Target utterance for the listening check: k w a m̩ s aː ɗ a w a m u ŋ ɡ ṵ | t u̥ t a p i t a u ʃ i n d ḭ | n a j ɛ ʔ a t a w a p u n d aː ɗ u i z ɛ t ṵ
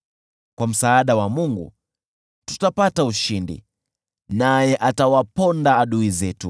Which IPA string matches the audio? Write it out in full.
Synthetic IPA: k w a m̩ s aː ɗ a w a m u ŋ ɡ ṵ | t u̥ t a p a t a u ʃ i n d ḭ | n a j ɛ ʔ a t a w a p ɔ n d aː ɗ u i z ɛ t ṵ